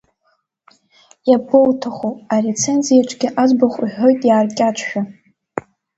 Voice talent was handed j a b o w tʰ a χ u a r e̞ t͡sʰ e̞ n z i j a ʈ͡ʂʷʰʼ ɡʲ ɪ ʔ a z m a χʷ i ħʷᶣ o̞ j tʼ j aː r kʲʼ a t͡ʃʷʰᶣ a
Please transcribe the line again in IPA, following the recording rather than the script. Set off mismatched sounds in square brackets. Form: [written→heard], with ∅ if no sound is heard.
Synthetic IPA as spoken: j a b o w tʰ a χ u a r e̞ t͡sʰ e̞ n z i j a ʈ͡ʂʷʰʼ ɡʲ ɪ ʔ a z [m→b] a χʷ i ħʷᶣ o̞ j tʼ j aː r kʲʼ a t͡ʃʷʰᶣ a